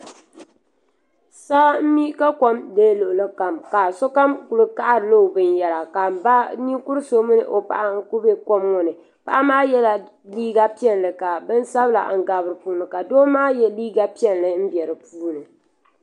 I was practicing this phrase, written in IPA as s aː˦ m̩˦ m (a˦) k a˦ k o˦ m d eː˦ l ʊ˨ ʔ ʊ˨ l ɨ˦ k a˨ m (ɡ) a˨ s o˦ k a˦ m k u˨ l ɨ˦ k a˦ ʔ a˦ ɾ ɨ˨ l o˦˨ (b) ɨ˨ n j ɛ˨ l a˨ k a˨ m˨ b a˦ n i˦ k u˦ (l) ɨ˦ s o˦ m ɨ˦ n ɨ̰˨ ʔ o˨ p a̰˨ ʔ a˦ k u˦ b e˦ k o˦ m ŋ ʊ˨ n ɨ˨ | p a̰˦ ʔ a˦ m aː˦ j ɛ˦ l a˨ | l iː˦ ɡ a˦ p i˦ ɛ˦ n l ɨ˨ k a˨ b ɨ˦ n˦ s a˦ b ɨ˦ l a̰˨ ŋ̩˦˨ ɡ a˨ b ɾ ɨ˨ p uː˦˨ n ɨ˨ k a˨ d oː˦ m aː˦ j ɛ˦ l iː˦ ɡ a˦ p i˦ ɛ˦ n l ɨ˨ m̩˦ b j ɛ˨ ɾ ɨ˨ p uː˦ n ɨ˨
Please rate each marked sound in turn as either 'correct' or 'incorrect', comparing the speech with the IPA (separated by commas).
incorrect, incorrect, correct, incorrect